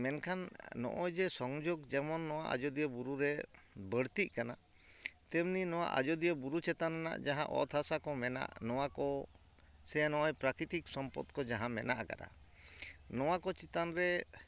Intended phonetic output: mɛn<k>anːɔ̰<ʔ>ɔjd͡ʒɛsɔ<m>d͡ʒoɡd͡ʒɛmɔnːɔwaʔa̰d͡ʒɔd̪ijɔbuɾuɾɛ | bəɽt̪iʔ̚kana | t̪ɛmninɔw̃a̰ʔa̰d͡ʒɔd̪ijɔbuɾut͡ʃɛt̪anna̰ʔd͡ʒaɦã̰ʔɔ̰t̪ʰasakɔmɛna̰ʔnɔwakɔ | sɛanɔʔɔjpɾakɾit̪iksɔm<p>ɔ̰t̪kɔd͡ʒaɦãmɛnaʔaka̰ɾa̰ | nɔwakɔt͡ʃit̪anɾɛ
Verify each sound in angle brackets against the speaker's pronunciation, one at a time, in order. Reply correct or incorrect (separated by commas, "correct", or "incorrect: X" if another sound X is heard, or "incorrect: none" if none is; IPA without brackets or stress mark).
incorrect: kʰ, correct, incorrect: ŋ, correct